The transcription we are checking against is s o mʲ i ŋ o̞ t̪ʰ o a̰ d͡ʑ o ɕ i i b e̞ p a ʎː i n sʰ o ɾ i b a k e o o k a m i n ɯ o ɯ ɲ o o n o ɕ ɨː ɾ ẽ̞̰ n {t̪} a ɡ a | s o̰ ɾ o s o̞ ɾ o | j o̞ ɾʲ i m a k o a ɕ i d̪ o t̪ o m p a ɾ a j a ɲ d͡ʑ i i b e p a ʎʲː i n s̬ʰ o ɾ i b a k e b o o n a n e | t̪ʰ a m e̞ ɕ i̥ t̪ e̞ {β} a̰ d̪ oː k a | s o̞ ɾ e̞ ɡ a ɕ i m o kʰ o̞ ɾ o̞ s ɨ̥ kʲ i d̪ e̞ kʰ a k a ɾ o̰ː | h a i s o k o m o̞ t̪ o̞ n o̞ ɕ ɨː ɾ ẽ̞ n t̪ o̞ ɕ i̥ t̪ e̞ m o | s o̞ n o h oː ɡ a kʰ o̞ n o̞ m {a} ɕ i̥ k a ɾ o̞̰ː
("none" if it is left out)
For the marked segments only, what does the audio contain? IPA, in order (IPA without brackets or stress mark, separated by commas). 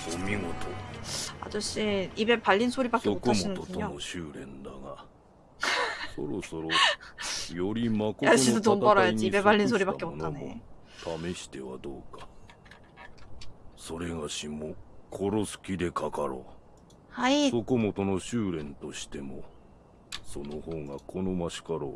d̪, β, a